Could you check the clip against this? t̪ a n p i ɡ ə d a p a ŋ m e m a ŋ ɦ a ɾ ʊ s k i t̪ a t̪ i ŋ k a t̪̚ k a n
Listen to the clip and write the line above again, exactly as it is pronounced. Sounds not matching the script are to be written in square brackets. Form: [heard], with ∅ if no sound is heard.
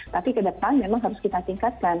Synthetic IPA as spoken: t̪ a [∅] p i [k] ə d [ə] p a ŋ m e m a ŋ ɦ a ɾ ʊ s k i t̪ a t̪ i ŋ k a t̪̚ k a n